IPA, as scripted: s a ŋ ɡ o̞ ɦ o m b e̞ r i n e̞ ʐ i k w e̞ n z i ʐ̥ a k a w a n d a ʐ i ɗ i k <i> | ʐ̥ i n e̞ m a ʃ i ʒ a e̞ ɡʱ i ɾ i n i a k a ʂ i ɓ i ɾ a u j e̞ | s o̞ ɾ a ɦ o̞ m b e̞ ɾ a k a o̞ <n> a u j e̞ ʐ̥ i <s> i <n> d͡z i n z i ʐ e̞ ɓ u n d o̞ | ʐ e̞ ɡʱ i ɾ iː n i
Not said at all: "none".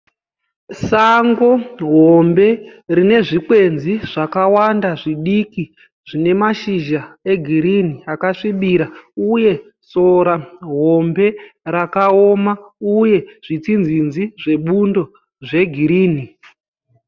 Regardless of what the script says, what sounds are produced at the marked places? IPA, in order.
i, m, t͡s, n

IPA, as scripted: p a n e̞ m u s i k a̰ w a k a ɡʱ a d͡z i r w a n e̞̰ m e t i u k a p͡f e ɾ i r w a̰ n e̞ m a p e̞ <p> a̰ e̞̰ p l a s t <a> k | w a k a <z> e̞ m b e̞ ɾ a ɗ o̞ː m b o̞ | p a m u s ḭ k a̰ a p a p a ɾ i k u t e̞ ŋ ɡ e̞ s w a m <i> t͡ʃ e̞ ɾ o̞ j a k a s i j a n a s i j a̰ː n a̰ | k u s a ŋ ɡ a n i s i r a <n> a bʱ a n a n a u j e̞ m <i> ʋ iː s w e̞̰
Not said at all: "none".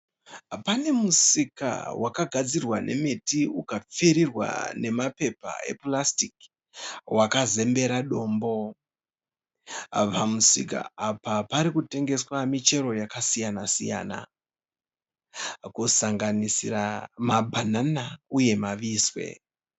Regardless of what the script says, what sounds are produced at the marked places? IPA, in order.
p, i, z, i, m, a

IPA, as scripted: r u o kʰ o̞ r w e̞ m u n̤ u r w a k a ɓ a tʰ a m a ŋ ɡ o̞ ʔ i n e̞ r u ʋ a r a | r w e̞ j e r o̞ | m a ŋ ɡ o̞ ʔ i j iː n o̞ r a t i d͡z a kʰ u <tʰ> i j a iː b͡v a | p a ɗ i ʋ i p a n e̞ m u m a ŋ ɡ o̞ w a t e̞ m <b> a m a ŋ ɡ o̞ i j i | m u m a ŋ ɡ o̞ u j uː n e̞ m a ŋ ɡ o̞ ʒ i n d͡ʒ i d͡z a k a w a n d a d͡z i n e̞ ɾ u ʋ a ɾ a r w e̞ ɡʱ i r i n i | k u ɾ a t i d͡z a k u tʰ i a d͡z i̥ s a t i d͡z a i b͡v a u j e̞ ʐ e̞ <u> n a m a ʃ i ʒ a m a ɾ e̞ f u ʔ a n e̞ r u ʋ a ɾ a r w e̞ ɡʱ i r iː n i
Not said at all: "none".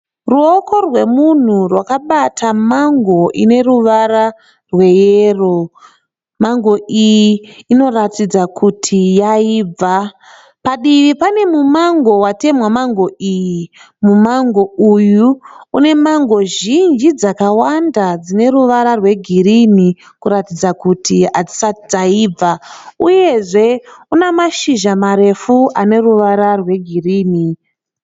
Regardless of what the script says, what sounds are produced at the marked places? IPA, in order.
tʰ, w, u

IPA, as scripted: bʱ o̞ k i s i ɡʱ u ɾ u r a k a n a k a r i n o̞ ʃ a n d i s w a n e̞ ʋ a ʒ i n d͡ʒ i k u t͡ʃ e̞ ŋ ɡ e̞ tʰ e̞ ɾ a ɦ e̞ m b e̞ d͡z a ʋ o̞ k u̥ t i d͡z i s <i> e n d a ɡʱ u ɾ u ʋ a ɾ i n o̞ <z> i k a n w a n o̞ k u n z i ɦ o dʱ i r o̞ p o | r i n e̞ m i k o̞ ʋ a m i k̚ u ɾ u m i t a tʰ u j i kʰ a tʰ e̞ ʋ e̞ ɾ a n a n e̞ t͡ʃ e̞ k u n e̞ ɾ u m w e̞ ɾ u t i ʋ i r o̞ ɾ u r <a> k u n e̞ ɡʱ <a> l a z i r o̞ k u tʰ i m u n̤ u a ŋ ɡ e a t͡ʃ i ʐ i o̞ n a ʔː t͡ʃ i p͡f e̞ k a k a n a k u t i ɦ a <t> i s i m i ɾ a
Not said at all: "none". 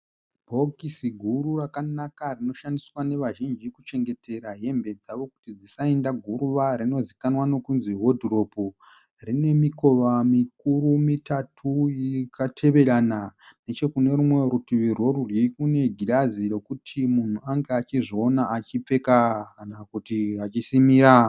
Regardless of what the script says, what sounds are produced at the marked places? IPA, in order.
a, z, i, i, t͡ʃ

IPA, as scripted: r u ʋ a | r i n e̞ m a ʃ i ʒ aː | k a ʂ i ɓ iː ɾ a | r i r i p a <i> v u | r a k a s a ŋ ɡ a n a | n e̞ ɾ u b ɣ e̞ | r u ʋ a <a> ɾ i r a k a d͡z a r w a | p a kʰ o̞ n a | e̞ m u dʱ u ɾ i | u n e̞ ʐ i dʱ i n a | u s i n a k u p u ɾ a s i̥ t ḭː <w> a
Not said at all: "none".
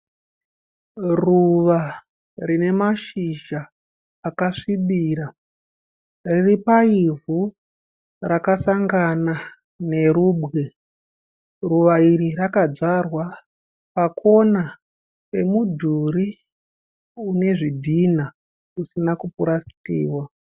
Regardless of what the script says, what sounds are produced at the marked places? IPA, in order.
i, i, w

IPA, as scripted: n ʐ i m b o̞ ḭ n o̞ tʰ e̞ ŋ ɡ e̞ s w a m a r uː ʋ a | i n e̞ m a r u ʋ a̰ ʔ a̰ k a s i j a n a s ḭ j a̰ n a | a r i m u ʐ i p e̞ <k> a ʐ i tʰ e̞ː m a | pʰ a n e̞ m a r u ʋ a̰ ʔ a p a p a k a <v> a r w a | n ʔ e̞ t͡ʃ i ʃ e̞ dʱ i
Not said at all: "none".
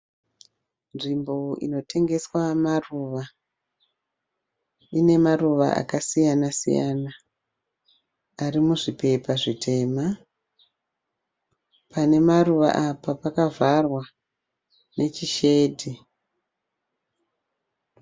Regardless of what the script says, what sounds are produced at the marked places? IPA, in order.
p, v

